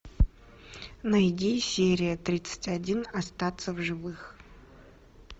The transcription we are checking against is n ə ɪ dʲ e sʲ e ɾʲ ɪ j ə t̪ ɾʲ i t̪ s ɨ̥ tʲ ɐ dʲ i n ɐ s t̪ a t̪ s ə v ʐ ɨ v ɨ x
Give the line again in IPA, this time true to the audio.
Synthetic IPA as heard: n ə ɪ dʲ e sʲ e ɾʲ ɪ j ə t̪ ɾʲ i t̪ s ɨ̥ tʲ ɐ dʲ i n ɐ s t̪ a t̪ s ə v ʐ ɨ v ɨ x